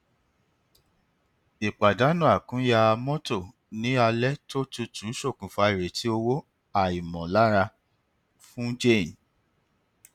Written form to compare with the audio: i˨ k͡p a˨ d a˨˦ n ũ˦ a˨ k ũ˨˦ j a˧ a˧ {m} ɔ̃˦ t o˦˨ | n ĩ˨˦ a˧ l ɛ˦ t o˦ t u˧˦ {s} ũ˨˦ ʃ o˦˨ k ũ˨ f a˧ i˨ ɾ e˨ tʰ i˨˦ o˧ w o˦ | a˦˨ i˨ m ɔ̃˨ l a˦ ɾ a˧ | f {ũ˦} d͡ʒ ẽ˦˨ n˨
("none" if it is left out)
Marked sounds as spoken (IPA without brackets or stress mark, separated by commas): m, t, ũ˦